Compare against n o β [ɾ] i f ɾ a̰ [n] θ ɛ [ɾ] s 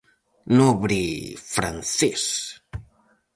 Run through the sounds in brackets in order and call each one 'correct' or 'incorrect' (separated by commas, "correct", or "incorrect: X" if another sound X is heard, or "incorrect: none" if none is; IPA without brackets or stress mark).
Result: correct, correct, incorrect: none